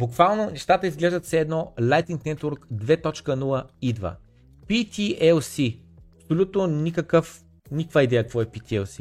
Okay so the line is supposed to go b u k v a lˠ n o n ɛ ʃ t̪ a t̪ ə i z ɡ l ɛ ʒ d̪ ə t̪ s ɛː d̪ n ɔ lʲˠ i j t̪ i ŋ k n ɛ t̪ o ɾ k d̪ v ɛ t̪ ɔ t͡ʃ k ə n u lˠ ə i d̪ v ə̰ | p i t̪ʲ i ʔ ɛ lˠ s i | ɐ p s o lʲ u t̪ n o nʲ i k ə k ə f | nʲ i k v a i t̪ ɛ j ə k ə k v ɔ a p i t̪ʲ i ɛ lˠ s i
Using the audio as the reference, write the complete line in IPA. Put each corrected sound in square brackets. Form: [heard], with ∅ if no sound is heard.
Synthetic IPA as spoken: b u k v a lˠ n o n ɛ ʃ t̪ a t̪ ə i z ɡ l ɛ ʒ d̪ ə t̪ s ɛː d̪ n ɔ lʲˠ [a] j t̪ i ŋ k n ɛ t̪ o ɾ k d̪ v ɛ t̪ ɔ t͡ʃ k ə n u lˠ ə i d̪ v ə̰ | p i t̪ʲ i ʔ ɛ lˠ s i | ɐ p s o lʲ u t̪ n o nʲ i k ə k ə f | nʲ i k v a i [d̪] ɛ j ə k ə k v ɔ [ɛ] p i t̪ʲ i ɛ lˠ s i